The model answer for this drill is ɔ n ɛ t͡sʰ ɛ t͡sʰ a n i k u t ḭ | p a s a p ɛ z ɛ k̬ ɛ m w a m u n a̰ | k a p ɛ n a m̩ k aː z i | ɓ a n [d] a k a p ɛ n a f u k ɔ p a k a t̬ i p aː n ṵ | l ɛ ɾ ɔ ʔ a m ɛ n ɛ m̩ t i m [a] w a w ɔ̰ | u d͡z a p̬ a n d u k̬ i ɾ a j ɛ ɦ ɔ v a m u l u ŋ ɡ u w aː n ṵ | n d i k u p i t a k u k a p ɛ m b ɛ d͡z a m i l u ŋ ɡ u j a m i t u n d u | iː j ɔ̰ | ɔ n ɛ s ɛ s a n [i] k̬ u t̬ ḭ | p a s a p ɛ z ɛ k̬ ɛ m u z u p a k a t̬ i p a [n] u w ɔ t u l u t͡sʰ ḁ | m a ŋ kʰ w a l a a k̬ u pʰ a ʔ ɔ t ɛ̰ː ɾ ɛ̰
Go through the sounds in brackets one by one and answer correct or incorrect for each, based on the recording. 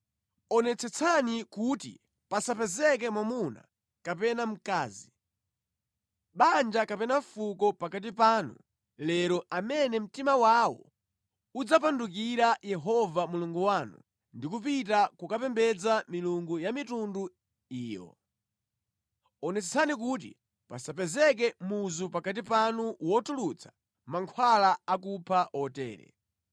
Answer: incorrect: d͡ʒ, correct, correct, correct

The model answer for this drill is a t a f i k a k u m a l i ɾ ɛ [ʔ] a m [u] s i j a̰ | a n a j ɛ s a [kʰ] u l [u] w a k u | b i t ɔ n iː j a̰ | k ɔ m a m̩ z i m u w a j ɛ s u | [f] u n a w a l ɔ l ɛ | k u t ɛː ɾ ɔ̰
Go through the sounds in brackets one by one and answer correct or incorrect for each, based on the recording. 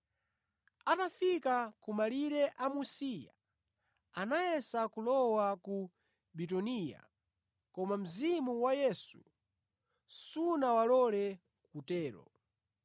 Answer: correct, correct, incorrect: k, incorrect: ɔ, incorrect: s

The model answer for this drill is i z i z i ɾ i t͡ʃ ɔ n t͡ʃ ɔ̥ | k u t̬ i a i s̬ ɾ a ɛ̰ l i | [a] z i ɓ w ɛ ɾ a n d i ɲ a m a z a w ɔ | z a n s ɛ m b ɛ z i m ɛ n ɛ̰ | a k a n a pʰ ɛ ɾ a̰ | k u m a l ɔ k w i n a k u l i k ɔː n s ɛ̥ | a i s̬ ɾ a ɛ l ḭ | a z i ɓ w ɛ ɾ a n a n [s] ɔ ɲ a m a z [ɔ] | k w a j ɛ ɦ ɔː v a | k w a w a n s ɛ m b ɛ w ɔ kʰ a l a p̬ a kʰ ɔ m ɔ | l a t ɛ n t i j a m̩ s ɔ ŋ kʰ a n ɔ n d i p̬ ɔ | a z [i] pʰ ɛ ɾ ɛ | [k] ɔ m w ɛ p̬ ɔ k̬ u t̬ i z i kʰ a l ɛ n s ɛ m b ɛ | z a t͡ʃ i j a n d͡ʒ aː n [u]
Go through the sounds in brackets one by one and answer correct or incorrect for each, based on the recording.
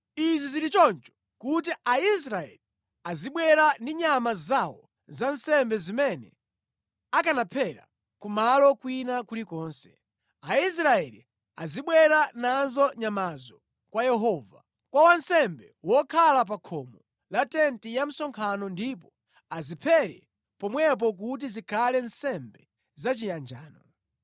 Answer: correct, incorrect: z, correct, correct, incorrect: p, incorrect: ɔ

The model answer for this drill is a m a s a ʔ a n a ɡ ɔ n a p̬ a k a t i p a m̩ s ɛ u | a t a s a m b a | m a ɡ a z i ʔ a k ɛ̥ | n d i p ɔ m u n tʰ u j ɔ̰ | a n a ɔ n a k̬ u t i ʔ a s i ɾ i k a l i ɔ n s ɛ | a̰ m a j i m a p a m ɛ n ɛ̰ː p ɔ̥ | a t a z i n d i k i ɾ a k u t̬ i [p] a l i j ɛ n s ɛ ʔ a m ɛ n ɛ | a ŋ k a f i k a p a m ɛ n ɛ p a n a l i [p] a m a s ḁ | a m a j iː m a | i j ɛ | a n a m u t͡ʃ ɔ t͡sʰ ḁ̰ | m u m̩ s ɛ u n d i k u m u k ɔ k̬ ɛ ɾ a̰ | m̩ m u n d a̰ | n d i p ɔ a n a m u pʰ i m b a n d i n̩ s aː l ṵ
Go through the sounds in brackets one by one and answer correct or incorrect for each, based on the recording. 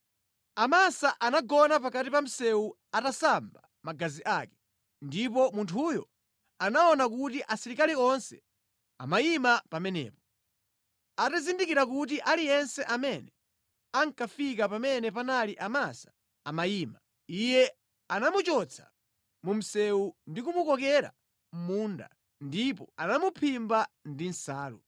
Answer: incorrect: ʔ, incorrect: ʔ

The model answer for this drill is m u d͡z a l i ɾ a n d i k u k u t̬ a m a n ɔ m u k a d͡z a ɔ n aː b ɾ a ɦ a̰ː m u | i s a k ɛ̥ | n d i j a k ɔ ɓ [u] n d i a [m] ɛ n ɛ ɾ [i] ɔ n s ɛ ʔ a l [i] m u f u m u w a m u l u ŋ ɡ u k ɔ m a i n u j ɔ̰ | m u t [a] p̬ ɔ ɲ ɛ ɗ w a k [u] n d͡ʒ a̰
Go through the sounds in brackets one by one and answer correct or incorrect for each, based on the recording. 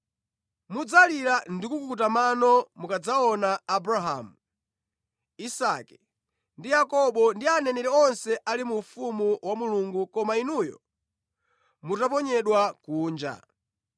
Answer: incorrect: ɔ, incorrect: n, incorrect: ɛ, correct, correct, incorrect: uː

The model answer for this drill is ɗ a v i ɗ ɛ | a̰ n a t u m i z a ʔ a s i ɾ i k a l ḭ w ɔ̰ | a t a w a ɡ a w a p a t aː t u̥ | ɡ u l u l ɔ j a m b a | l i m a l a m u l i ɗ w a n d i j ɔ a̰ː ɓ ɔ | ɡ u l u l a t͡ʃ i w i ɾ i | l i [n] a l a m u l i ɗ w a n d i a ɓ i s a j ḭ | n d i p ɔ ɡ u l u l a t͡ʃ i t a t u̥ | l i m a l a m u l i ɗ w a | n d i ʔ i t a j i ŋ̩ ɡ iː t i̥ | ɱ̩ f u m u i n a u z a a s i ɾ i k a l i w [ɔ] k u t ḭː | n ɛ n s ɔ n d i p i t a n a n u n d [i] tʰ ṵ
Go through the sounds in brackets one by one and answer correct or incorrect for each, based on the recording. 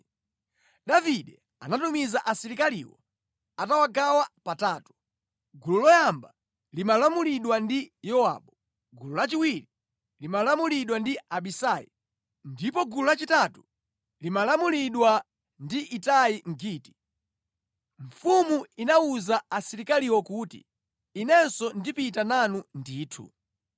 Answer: incorrect: m, correct, incorrect: iː

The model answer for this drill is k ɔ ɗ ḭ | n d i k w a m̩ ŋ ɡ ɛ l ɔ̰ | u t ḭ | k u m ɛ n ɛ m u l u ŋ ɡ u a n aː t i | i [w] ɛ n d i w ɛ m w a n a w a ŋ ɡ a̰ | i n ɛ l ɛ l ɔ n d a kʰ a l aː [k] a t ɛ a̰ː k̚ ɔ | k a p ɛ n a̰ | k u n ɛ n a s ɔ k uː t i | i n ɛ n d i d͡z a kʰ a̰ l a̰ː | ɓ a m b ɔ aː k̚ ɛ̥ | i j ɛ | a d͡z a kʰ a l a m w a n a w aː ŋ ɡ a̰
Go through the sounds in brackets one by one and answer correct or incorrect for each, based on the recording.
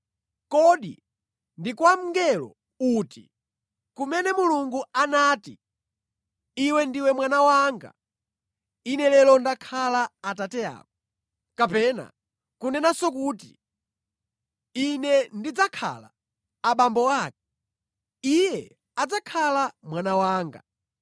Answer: correct, incorrect: t

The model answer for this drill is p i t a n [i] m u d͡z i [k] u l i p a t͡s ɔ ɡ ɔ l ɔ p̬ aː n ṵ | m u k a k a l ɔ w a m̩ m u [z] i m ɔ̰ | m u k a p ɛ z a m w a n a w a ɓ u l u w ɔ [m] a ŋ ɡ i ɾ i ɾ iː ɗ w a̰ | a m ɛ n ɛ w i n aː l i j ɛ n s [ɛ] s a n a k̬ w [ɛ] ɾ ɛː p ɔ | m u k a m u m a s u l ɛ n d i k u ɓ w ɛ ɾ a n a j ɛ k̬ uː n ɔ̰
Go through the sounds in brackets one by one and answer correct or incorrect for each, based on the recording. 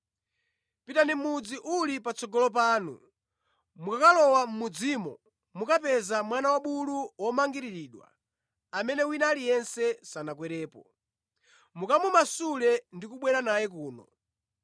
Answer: correct, incorrect: ʔ, incorrect: d͡z, correct, correct, correct

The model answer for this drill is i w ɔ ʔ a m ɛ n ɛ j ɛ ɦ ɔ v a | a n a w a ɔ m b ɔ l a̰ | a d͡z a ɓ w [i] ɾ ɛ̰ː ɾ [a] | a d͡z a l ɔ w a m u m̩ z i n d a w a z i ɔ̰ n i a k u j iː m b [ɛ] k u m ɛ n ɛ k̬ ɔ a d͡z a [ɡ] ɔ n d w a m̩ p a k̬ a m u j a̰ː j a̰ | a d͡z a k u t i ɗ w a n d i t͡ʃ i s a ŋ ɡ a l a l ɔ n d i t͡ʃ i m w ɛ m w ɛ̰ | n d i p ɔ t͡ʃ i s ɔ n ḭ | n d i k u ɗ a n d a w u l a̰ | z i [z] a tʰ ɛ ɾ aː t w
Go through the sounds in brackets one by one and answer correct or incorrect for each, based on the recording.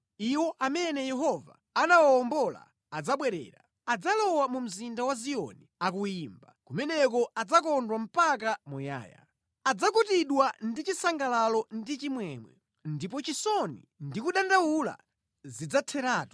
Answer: incorrect: ɛ, correct, incorrect: a, incorrect: k, incorrect: d͡z

